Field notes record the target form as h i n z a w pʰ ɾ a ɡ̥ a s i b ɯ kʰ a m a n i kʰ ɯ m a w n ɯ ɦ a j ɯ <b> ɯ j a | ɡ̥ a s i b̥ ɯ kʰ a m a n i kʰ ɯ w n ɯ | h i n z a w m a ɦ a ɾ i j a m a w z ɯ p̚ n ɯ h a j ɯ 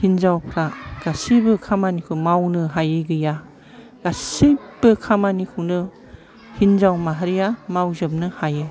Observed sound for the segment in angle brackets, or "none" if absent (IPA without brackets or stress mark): ɡ